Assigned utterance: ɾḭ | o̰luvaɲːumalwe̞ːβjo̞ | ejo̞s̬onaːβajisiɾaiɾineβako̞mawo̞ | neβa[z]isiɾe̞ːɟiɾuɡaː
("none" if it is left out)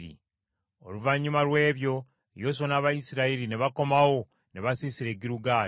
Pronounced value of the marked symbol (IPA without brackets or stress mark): s